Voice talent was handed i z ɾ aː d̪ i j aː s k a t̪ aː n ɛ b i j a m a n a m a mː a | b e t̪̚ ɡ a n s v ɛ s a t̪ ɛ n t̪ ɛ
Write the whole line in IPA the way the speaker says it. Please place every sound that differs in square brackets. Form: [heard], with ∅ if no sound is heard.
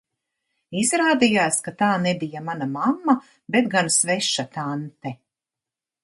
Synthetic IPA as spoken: i z ɾ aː d̪ i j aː s k a t̪ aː n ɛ b i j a m a n a m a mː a | b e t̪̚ ɡ a n s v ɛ [ʃ] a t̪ [a] n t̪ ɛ